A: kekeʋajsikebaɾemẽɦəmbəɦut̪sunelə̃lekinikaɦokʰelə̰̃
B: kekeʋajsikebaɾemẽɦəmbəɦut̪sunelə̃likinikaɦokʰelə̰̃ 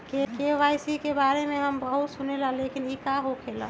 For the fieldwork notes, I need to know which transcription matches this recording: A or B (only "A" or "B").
A